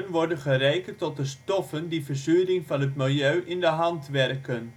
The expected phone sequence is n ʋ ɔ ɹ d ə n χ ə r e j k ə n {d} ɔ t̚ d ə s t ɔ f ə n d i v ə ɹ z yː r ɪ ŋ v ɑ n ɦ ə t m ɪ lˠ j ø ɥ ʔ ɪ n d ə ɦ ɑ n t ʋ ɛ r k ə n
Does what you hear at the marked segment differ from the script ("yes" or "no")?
yes